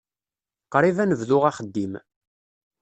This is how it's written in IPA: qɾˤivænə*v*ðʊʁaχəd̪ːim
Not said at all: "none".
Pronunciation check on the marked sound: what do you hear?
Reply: v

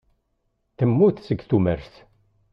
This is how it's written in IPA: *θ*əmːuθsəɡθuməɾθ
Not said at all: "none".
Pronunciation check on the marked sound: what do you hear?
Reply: θ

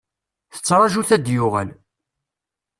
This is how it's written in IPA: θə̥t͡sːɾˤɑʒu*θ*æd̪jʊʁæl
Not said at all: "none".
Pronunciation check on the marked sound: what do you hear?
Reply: θ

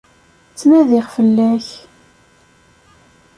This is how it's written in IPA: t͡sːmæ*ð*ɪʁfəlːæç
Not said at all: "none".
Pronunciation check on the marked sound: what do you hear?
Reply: ð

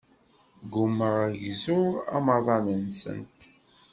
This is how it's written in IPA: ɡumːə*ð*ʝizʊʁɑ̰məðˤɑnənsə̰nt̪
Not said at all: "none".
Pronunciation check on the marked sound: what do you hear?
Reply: ʁ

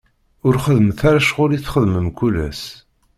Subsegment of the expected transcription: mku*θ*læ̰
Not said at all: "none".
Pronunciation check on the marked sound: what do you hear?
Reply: none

